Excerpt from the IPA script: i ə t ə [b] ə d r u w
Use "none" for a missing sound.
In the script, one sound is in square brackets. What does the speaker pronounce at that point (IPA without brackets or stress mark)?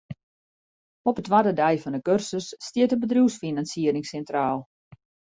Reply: b